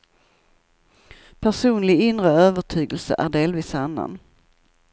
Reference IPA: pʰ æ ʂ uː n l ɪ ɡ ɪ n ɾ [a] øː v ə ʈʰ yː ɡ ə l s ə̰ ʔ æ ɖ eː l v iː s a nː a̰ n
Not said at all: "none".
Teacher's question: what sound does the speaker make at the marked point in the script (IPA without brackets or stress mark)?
ə